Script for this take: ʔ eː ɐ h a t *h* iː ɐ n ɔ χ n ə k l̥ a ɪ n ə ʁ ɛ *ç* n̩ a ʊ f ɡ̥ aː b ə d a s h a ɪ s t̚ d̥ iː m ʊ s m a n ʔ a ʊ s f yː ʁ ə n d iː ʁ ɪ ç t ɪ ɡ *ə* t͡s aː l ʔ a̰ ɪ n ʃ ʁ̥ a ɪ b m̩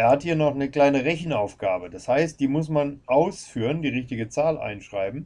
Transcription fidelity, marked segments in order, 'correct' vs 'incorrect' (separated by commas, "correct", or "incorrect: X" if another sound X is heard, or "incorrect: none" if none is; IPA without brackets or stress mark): correct, correct, correct